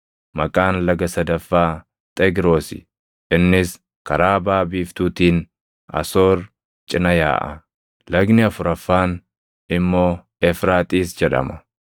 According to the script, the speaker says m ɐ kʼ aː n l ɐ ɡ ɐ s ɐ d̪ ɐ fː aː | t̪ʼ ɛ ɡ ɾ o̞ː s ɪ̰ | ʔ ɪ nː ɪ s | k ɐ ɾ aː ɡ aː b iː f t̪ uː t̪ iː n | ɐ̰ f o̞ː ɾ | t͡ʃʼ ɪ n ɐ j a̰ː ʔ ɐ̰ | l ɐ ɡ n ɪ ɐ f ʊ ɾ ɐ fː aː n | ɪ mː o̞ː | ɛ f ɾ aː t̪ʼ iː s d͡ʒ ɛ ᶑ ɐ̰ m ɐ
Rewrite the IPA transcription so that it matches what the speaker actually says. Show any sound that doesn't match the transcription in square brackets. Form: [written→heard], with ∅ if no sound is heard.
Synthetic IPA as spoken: m ɐ kʼ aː n l ɐ ɡ ɐ s ɐ d̪ ɐ fː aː | t̪ʼ ɛ ɡ ɾ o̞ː s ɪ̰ | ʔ ɪ nː ɪ s | k ɐ ɾ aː [ɡ→b] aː b iː f t̪ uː t̪ iː n | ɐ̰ [f→s] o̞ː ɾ | t͡ʃʼ ɪ n ɐ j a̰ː ʔ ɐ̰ | l ɐ ɡ n ɪ ɐ f ʊ ɾ ɐ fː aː n | ɪ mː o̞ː | ɛ f ɾ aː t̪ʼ iː s d͡ʒ ɛ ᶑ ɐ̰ m ɐ

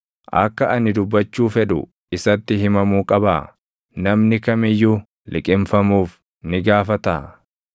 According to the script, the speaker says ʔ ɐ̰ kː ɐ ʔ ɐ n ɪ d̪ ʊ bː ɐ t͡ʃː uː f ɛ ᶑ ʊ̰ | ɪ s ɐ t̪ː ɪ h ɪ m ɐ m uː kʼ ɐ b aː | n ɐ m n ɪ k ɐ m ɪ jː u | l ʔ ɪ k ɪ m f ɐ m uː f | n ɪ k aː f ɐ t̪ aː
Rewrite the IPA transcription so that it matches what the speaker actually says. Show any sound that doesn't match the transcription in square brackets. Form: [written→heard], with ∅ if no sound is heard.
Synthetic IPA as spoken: ʔ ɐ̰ kː ɐ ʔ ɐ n ɪ d̪ ʊ bː ɐ t͡ʃː uː f ɛ ᶑ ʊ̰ | ɪ s ɐ t̪ː ɪ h ɪ m ɐ m uː kʼ ɐ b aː | n ɐ m n ɪ k ɐ m ɪ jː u | l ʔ ɪ [k→kʼ] ɪ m f ɐ m uː f | n ɪ [k→ɡ] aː f ɐ t̪ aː

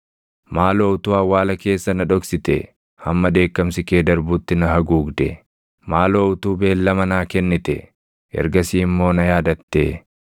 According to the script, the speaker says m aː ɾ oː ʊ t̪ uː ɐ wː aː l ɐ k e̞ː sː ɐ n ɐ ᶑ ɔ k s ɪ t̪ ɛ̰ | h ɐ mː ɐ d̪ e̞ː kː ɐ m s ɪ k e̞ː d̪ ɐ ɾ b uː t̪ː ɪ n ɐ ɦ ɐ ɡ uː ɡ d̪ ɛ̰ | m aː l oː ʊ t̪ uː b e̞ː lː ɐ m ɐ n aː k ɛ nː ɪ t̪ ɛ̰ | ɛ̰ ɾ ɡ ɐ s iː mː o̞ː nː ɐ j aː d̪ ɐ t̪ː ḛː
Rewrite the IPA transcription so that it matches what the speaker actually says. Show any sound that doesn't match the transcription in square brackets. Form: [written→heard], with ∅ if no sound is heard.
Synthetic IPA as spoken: m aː [ɾ→l] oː ʊ t̪ uː ɐ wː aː l ɐ k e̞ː sː ɐ n ɐ ᶑ ɔ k s ɪ t̪ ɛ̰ | h ɐ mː ɐ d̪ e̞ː kː ɐ m s ɪ k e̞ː d̪ ɐ ɾ b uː t̪ː ɪ n ɐ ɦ ɐ ɡ uː ɡ d̪ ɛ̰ | m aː l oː ʊ t̪ uː b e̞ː lː ɐ m ɐ n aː k ɛ nː ɪ t̪ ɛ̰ | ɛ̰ ɾ ɡ ɐ s iː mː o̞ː [nː→n] ɐ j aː d̪ ɐ t̪ː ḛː

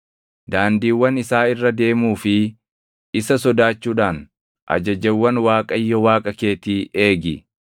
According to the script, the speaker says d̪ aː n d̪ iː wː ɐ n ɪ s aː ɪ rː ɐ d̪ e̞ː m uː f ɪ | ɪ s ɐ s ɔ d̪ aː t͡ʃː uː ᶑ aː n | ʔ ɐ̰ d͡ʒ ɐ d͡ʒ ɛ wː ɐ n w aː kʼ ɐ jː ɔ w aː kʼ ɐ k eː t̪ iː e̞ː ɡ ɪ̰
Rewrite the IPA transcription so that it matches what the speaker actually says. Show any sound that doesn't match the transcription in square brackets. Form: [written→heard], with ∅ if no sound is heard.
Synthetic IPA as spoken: d̪ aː n d̪ iː wː ɐ n ɪ s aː ɪ rː ɐ d̪ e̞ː m uː f ɪ | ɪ s ɐ s ɔ d̪ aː t͡ʃː uː ᶑ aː n | ʔ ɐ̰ d͡ʒ ɐ d͡ʒ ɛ wː ɐ n w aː kʼ ɐ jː ɔ w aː kʼ ɐ k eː t̪ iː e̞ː ɡ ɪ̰

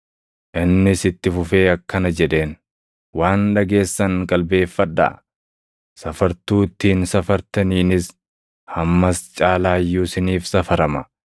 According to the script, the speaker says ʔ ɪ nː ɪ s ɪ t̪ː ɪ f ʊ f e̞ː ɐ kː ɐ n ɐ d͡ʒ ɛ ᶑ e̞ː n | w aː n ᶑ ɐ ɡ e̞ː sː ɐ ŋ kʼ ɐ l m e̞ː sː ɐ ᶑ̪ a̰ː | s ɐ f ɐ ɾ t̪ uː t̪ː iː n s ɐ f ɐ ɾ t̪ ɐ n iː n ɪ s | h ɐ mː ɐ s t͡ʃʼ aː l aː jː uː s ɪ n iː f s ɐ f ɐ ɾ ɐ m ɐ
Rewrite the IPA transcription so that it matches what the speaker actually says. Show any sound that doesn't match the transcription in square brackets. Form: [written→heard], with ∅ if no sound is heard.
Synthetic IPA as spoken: ʔ ɪ nː ɪ s ɪ t̪ː ɪ f ʊ f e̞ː ɐ kː ɐ n ɐ d͡ʒ ɛ ᶑ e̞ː n | w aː n ᶑ ɐ ɡ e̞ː sː ɐ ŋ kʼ ɐ l [m→b] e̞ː [sː→fː] ɐ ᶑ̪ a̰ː | s ɐ f ɐ ɾ t̪ uː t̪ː iː n s ɐ f ɐ ɾ t̪ ɐ n iː n ɪ s | h ɐ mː ɐ s t͡ʃʼ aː l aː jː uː s ɪ n iː f s ɐ f ɐ ɾ ɐ m ɐ

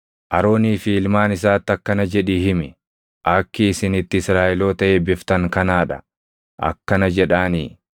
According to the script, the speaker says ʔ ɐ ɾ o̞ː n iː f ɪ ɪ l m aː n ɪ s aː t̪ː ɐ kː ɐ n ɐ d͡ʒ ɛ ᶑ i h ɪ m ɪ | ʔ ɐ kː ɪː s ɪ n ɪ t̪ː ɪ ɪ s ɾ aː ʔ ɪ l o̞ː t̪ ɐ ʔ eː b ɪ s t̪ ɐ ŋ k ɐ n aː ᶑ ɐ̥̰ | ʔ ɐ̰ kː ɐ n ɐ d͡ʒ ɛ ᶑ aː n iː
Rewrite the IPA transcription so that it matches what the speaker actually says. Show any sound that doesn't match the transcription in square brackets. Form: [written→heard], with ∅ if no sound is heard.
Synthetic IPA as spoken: ʔ ɐ ɾ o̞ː n iː f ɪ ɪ l m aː n ɪ s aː t̪ː ɐ kː ɐ n ɐ d͡ʒ ɛ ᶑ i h ɪ m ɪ | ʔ ɐ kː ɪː s ɪ n ɪ t̪ː ɪ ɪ s ɾ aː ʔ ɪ l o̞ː t̪ ɐ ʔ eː b ɪ [s→f] t̪ ɐ ŋ k ɐ n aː ᶑ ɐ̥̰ | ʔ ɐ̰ kː ɐ n ɐ d͡ʒ ɛ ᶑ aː n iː

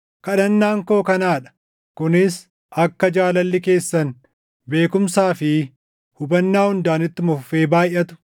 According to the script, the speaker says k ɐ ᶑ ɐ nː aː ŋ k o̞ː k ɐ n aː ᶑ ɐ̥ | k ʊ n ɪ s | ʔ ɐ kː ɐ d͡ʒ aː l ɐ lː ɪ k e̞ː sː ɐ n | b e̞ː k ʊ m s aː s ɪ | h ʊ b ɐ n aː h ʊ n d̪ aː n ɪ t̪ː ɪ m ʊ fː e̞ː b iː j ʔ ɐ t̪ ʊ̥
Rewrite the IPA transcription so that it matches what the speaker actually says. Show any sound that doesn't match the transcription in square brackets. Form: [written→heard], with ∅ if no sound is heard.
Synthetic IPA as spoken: k ɐ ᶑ ɐ nː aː ŋ k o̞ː k ɐ n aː ᶑ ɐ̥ | k ʊ n ɪ s | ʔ ɐ kː ɐ d͡ʒ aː l ɐ lː ɪ k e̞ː sː ɐ n | b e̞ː k ʊ m s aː [s→f] ɪ | h ʊ b ɐ [n→nː] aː h ʊ n d̪ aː n ɪ t̪ː ɪ m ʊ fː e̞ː b [iː→aː] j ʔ ɐ t̪ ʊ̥

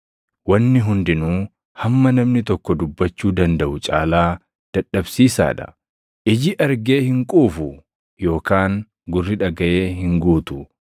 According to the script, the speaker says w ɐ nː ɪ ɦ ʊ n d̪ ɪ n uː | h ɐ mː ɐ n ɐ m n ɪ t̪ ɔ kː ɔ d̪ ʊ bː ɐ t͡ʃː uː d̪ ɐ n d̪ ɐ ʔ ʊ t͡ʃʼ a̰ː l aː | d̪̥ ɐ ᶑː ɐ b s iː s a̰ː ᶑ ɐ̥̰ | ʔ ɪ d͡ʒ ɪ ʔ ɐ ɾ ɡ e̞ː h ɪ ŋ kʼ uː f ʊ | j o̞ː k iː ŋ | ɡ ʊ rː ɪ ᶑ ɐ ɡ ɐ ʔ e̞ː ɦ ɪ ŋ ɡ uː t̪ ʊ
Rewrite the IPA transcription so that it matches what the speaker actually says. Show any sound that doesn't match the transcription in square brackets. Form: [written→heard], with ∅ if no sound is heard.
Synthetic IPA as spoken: w ɐ nː ɪ ɦ ʊ n d̪ ɪ n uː | h ɐ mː ɐ n ɐ m n ɪ t̪ ɔ kː ɔ d̪ ʊ bː ɐ t͡ʃː uː d̪ ɐ n d̪ ɐ ʔ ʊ t͡ʃʼ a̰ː l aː | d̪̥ ɐ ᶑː ɐ b s iː s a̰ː ᶑ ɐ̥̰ | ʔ ɪ d͡ʒ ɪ ʔ ɐ ɾ ɡ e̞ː h ɪ ŋ kʼ uː f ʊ | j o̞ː k [iː→aː] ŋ | ɡ ʊ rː ɪ ᶑ ɐ ɡ ɐ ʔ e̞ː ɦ ɪ ŋ ɡ uː t̪ ʊ

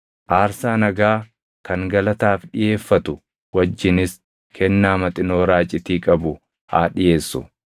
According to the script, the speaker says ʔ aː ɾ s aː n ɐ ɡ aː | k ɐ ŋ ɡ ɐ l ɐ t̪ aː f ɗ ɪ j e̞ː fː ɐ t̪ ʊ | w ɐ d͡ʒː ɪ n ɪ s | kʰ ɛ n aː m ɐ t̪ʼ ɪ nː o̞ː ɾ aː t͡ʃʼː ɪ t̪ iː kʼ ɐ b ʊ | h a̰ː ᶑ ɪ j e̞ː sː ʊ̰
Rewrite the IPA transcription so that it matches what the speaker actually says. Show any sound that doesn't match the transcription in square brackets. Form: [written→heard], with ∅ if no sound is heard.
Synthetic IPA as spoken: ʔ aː ɾ s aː n ɐ ɡ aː | k ɐ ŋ ɡ ɐ l ɐ t̪ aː f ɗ ɪ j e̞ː fː ɐ t̪ ʊ | w ɐ d͡ʒː ɪ n ɪ s | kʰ ɛ [n→nː] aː m ɐ t̪ʼ ɪ [nː→n] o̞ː ɾ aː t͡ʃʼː ɪ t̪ iː kʼ ɐ b ʊ | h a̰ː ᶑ ɪ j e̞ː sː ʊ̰

